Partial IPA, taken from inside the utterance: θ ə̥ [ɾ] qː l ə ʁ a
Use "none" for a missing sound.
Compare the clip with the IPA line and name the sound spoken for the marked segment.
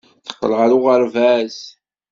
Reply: none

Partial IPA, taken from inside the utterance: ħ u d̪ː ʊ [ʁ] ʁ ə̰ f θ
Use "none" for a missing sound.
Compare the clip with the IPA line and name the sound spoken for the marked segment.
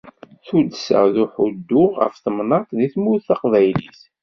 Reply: ʁ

